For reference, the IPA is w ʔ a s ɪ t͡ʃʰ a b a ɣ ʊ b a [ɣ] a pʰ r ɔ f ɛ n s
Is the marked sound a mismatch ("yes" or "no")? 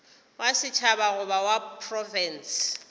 yes